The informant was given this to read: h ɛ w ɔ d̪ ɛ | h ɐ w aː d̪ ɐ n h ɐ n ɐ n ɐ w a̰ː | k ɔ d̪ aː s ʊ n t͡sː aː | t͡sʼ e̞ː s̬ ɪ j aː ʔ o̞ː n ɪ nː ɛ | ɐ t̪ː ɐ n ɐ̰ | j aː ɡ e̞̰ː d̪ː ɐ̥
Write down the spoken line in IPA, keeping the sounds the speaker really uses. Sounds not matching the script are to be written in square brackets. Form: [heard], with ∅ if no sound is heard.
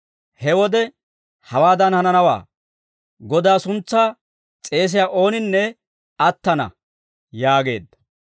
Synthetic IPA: h ɛ w ɔ d̪ ɛ | h ɐ w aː d̪ ɐ n h ɐ n ɐ n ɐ w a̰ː | [ɡ] ɔ d̪ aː s ʊ n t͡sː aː | t͡sʼ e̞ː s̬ ɪ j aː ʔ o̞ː n ɪ nː ɛ | ɐ t̪ː ɐ n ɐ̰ | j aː ɡ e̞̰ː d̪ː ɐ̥